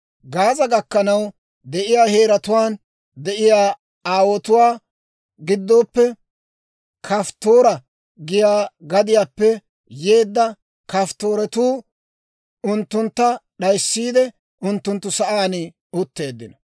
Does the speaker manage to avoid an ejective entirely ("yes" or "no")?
yes